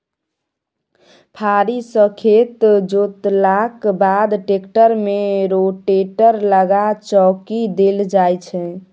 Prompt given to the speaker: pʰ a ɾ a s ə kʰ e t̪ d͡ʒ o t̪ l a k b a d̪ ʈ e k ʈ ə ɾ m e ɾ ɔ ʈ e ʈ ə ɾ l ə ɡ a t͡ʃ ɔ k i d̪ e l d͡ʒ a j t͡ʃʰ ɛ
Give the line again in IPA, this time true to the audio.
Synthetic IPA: pʰ a ɾ i s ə kʰ e t̪ d͡ʒ o t̪ l a k b a d̪ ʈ e k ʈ ə ɾ m e ɾ o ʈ e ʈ ə ɾ l ə ɡ a t͡ʃ ɔ k i d̪ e l d͡ʒ a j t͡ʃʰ ɛ